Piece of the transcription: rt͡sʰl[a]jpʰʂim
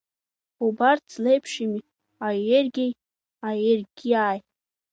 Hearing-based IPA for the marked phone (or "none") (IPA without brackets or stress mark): e